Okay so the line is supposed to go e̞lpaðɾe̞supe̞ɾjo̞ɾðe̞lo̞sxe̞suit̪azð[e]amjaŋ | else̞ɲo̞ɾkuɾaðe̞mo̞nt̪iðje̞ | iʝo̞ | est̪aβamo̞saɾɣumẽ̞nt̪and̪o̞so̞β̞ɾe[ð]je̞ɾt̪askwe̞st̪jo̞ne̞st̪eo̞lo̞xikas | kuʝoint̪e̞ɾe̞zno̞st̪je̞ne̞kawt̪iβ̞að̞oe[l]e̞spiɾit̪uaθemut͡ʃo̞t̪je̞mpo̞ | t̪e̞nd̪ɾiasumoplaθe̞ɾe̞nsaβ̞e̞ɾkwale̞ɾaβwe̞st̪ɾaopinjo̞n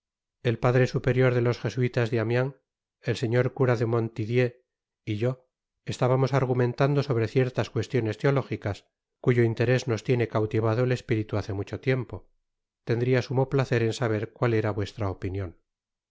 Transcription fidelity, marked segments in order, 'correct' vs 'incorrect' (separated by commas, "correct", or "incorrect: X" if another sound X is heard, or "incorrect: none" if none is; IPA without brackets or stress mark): correct, incorrect: θ, correct